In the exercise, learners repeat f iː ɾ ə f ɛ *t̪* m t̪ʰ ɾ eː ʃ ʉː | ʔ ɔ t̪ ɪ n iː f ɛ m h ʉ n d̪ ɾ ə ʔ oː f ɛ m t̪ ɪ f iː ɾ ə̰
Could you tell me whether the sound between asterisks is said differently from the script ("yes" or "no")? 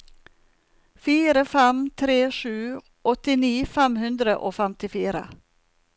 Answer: yes